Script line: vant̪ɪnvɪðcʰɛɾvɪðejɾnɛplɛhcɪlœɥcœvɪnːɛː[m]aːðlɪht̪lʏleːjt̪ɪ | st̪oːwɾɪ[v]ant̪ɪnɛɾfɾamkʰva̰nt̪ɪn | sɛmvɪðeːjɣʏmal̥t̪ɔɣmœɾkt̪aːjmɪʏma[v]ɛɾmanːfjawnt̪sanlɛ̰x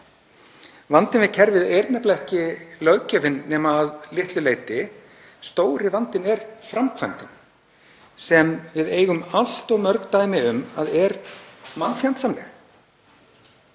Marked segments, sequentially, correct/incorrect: correct, correct, incorrect

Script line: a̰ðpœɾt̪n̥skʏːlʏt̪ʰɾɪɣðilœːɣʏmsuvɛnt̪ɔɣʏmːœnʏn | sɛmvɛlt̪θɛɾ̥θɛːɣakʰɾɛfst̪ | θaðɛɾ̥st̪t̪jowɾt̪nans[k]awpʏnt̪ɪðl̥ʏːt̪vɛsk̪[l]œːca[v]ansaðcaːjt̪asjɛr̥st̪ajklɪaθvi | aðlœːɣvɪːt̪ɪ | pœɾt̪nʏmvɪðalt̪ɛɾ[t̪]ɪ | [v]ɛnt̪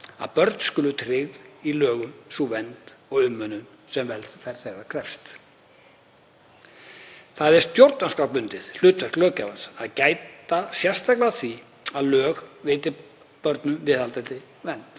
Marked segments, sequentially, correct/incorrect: correct, correct, correct, correct, correct

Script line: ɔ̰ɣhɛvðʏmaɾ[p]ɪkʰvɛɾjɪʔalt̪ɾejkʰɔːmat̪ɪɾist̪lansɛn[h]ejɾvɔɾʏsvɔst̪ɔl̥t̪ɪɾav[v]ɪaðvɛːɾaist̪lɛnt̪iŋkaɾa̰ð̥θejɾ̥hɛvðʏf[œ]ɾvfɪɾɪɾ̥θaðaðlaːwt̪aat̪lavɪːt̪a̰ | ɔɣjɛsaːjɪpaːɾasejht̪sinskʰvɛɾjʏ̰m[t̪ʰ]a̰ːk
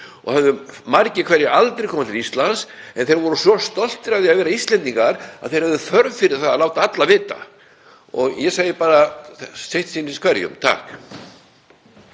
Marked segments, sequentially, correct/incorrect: incorrect, incorrect, incorrect, correct, correct

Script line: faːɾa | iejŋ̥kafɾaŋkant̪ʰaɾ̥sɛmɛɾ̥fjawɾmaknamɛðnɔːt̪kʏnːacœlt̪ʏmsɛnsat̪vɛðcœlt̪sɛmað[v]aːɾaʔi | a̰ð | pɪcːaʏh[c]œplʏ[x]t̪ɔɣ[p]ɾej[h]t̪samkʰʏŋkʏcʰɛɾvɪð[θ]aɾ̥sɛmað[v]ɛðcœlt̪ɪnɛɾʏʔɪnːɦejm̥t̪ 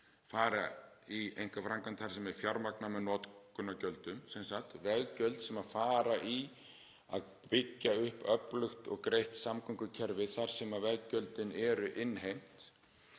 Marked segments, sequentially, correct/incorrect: incorrect, incorrect, correct, incorrect, correct, correct, correct

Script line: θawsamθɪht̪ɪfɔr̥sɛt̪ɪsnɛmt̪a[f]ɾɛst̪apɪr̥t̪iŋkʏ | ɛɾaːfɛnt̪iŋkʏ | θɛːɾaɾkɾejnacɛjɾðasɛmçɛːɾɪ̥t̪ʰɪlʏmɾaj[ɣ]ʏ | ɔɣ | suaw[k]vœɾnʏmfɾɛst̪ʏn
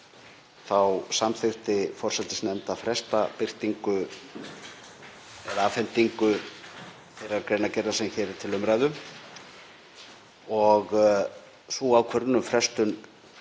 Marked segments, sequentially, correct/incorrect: correct, incorrect, incorrect

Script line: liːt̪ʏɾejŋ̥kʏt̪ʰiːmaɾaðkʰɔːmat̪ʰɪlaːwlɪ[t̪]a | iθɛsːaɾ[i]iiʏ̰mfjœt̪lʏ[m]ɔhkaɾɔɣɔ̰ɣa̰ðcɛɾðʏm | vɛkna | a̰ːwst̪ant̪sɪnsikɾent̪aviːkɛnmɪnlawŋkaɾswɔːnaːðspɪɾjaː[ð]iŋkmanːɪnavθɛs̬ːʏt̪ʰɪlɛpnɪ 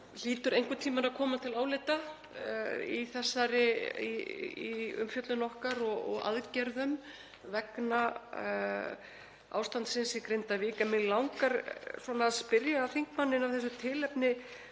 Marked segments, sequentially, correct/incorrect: correct, incorrect, incorrect, incorrect

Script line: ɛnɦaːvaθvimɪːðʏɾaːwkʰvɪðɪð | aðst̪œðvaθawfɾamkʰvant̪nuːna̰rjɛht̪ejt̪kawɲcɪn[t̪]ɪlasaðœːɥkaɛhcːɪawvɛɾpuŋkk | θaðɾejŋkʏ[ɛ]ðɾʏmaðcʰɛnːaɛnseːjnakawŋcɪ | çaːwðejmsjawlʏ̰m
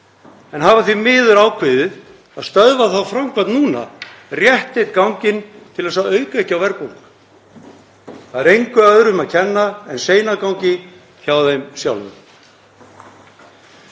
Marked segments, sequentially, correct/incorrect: incorrect, incorrect

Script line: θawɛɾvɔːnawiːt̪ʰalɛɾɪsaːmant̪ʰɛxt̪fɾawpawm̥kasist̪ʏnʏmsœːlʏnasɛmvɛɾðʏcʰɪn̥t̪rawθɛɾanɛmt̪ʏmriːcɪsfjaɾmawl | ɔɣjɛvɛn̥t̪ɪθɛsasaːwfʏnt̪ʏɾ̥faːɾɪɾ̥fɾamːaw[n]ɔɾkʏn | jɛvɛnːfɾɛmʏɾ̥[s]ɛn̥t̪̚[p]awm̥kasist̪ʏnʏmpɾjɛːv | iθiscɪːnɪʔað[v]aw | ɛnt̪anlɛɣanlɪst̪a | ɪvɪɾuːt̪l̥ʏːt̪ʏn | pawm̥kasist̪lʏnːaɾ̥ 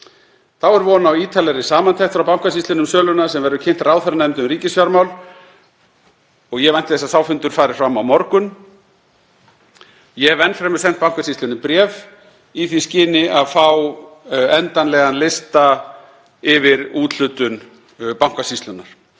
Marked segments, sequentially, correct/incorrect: incorrect, correct, correct, incorrect

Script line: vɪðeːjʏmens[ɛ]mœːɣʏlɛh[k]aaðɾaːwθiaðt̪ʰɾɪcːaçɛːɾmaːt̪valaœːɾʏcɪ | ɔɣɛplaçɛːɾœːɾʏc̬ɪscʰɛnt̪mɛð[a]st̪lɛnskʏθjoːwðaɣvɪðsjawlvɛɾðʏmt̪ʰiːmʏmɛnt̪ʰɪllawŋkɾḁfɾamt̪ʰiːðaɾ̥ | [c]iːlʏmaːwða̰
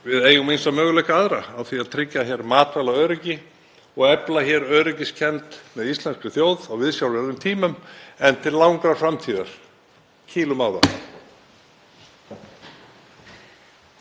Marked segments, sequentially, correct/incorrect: incorrect, correct, incorrect, incorrect

